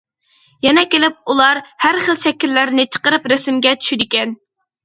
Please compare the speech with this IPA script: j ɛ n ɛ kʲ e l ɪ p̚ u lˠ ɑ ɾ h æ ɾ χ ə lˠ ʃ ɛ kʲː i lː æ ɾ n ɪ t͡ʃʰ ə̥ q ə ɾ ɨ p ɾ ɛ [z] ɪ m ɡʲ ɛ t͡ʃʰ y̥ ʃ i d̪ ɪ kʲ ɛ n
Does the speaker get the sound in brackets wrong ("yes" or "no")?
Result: yes